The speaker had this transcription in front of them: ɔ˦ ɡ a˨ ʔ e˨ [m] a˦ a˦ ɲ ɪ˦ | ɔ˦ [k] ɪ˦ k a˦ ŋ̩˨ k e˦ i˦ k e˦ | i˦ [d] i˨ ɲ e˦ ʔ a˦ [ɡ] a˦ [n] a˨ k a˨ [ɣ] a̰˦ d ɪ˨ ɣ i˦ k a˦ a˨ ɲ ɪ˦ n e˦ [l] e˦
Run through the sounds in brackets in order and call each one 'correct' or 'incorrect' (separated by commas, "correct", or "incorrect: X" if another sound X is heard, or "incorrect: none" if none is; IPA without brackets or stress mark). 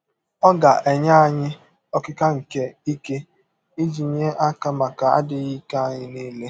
incorrect: ɲ, correct, incorrect: d͡ʒ, incorrect: k, incorrect: m, incorrect: none, correct